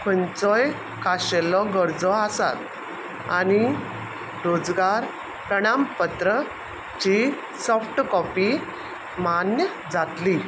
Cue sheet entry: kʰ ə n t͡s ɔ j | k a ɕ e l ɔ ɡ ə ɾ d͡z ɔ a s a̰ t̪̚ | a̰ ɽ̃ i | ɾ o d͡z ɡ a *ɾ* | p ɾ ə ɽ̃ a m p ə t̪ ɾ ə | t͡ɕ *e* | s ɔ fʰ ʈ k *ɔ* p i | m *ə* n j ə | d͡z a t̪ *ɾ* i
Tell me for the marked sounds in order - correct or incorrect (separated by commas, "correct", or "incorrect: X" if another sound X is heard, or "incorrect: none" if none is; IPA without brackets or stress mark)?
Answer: correct, incorrect: i, correct, incorrect: a, incorrect: l